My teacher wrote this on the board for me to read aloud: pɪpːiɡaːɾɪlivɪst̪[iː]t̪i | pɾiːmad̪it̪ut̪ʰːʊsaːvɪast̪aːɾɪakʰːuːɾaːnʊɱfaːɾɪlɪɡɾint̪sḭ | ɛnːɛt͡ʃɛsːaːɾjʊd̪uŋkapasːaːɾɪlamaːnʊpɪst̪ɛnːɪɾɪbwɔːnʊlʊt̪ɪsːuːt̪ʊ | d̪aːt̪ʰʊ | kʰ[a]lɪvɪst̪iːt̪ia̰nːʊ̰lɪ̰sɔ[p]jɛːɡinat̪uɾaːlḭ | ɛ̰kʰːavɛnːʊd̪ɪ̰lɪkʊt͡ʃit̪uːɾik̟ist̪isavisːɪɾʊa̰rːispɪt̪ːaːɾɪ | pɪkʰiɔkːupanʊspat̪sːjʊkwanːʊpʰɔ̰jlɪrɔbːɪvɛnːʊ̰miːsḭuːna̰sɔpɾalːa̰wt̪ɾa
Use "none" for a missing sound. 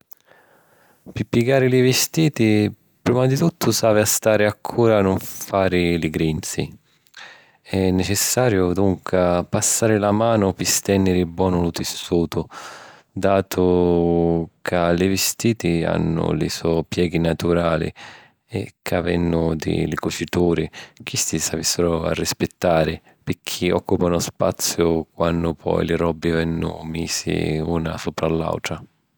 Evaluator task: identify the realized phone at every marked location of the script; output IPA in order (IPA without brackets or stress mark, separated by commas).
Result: iː, a, p